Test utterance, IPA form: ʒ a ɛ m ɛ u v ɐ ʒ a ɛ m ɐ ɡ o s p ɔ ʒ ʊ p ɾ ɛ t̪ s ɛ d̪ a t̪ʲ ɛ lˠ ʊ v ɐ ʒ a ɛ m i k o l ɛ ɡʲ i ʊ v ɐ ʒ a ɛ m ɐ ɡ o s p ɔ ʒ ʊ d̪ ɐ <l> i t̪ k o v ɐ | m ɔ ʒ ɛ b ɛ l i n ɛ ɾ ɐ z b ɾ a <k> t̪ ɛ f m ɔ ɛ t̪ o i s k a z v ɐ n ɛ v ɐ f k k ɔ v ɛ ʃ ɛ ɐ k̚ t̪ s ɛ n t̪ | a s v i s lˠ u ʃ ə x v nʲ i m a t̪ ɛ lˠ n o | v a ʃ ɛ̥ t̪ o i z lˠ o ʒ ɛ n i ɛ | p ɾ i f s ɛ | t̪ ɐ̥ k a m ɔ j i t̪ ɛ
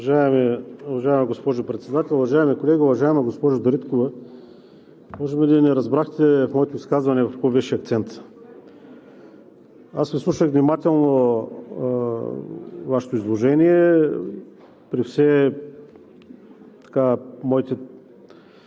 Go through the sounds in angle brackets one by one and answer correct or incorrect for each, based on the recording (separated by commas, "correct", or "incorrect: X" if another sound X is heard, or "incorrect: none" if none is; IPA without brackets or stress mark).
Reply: incorrect: ɾ, incorrect: x